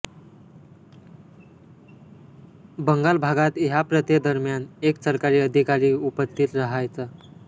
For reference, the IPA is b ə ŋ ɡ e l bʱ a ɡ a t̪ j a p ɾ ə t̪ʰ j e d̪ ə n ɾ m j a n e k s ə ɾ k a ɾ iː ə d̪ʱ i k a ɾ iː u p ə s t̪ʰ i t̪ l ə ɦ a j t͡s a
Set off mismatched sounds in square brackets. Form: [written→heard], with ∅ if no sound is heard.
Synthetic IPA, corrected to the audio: b ə ŋ ɡ [e→a] l bʱ a ɡ a t̪ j a p ɾ ə [t̪ʰ→t̪] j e d̪ ə [n→∅] ɾ m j a n e k s ə ɾ k a ɾ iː ə d̪ʱ i k a ɾ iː u p ə s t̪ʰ i t̪ [l→ɾ] ə ɦ a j t͡s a